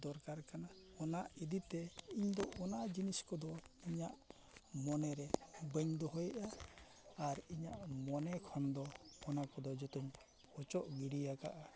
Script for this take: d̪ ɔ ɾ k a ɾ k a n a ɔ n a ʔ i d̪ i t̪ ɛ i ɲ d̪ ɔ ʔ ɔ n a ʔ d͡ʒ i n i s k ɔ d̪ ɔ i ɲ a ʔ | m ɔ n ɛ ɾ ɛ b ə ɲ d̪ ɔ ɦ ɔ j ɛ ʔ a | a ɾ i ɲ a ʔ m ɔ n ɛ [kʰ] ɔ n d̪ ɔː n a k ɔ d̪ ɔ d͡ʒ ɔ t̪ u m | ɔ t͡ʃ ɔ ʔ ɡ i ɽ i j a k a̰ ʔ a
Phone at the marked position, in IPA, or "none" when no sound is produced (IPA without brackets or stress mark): kʰ